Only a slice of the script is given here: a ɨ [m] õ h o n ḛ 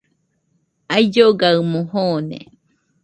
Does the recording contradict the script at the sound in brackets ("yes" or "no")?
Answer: no